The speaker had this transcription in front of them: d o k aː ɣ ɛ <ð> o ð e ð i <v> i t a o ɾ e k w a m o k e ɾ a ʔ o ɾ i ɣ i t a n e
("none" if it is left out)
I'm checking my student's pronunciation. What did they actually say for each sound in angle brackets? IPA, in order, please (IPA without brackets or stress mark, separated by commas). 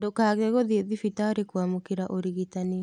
ɣ, f